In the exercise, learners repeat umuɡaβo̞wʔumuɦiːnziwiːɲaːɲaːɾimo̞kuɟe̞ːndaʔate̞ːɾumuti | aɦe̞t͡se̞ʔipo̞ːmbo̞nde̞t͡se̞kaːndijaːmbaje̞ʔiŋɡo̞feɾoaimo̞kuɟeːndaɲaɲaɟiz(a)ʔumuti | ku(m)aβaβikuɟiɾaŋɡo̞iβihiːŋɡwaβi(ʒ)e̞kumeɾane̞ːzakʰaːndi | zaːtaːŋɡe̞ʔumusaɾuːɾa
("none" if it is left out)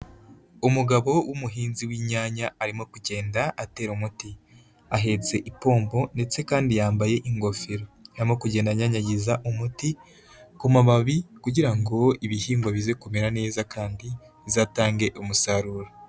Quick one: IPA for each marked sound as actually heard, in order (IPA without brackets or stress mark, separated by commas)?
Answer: a, m, z